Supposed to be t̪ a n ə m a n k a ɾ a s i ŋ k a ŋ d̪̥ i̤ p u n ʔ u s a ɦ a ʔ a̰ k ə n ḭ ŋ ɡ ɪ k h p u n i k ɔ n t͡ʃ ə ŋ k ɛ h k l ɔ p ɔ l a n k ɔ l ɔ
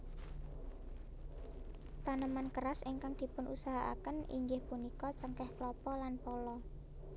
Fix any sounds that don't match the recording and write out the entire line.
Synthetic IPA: t̪ a n ə m a n k ə ɾ a s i ŋ k a ŋ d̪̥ i̤ p ʊ n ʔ u s a ɦ a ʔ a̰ k ə n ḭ ŋ ɡ ɪ h p u n i k ɔ t͡ʃ ə ŋ k ɛ h k l ɔ p ɔ l a n p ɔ l ɔ